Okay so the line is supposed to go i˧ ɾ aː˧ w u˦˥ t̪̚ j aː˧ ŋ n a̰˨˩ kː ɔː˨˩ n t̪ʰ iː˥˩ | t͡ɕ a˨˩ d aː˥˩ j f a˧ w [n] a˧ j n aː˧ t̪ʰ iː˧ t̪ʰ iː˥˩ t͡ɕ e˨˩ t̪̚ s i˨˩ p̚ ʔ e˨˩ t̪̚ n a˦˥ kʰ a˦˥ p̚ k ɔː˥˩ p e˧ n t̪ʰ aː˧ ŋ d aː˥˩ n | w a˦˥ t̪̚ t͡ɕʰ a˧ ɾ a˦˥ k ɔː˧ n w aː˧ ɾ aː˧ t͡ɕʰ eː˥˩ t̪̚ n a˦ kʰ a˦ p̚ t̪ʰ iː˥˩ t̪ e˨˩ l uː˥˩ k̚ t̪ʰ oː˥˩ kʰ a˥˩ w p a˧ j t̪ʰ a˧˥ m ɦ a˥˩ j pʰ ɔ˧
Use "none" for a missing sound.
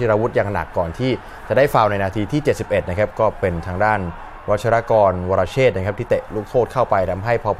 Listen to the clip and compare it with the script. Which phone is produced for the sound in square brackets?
n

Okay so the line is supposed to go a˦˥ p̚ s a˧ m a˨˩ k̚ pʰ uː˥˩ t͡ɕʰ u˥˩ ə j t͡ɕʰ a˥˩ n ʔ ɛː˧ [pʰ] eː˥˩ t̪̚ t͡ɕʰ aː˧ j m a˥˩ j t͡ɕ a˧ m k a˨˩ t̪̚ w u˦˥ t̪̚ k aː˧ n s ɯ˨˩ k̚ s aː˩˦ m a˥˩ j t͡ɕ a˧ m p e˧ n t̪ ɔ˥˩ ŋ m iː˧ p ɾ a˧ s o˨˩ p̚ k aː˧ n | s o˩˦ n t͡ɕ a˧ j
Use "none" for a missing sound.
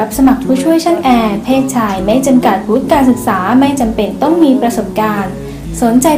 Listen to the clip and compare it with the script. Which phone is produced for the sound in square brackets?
pʰ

